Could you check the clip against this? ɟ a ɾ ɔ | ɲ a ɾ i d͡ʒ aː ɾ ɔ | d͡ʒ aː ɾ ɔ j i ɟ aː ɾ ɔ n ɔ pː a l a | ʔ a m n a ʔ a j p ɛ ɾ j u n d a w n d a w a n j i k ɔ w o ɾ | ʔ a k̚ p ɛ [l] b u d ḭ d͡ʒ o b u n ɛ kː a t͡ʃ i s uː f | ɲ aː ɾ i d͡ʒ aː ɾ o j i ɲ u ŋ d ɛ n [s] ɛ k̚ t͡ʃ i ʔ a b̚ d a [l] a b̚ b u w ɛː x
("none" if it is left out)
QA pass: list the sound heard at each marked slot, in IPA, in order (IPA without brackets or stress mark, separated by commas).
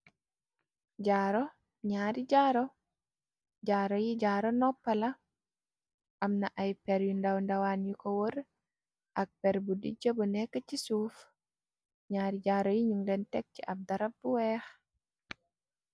ɾ, t, ɾ